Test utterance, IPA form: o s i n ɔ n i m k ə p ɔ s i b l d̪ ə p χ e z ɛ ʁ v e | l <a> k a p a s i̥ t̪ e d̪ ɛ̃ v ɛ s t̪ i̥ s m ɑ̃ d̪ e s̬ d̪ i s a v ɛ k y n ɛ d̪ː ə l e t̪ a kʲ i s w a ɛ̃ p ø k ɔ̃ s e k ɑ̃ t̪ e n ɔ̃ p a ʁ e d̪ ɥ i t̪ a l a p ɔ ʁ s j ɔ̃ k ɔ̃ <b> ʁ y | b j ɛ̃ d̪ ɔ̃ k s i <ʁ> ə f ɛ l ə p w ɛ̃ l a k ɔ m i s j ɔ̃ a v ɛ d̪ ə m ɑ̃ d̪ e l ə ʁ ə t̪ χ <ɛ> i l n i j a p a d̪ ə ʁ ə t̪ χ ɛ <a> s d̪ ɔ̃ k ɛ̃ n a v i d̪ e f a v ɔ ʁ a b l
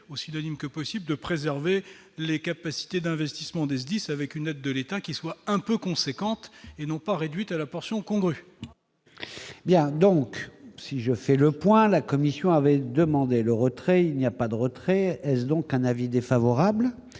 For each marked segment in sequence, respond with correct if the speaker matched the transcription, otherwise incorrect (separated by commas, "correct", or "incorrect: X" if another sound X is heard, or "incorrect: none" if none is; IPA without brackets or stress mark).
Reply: incorrect: e, incorrect: ɡ, incorrect: ʒ, correct, incorrect: ɛ